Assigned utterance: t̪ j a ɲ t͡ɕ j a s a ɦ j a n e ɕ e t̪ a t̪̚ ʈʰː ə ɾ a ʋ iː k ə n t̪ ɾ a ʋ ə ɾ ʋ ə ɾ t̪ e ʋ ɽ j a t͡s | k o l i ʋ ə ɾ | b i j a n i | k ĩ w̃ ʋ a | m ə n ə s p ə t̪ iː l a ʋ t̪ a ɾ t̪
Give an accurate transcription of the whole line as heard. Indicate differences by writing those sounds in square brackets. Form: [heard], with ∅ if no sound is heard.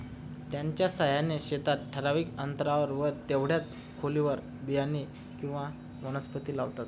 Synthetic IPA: t̪ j a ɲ t͡ɕ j a s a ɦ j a n e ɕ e t̪ a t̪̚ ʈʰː ə ɾ a ʋ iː k ə n t̪ ɾ a ʋ ə ɾ ʋ ə ɾ t̪ e ʋ ɽ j a t͡s | [kʰ] o l i ʋ ə ɾ | b i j a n i | k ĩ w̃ ʋ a | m ə n ə s p ə t̪ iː l a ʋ t̪ a [∅] t̪